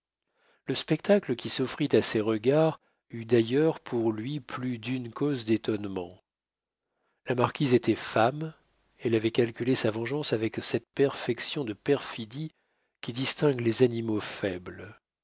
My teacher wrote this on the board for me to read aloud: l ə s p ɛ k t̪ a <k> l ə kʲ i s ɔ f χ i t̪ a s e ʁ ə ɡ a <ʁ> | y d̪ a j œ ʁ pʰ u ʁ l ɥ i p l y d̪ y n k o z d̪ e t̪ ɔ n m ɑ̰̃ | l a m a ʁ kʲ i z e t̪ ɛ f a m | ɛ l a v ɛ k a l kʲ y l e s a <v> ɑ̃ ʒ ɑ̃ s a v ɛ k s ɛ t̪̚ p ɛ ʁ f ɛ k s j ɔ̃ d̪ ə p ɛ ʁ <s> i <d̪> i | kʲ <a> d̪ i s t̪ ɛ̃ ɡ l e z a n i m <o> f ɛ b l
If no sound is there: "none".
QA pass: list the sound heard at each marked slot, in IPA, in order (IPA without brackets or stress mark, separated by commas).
k, ʁ, v, f, d̪, i, o